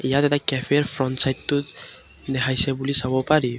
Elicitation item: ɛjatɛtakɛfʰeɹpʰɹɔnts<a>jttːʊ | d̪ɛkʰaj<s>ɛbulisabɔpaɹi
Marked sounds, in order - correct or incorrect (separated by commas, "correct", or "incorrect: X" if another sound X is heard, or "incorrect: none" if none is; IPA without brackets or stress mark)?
correct, correct